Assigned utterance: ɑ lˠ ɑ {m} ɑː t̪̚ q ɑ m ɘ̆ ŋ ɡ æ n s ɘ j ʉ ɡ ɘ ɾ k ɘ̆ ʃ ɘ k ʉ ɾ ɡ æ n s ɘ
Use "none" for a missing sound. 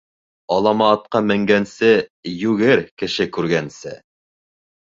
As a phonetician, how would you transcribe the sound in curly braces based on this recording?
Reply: m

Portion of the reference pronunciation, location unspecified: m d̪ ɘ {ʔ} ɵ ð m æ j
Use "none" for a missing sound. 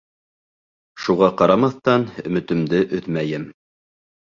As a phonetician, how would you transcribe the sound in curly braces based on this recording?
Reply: ʔ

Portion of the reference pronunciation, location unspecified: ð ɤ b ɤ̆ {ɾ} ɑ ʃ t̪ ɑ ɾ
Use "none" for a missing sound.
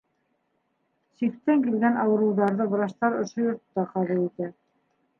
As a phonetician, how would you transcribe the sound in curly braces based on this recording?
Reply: ɾ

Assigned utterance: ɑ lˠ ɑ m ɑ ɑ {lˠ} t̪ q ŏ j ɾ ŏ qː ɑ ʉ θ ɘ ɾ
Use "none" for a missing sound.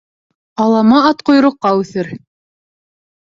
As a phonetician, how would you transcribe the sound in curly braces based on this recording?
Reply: none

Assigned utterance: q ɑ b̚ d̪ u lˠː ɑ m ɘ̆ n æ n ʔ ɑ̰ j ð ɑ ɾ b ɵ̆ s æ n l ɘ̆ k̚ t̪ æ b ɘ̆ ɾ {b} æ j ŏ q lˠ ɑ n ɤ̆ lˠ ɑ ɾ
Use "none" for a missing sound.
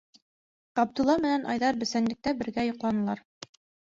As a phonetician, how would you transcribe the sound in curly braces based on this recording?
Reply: ɡ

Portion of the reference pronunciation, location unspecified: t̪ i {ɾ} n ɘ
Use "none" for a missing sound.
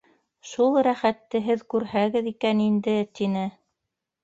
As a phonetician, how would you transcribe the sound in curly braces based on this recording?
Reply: none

